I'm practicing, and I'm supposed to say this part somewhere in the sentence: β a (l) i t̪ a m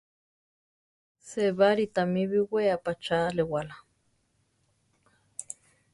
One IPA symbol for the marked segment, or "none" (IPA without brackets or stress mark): ɾ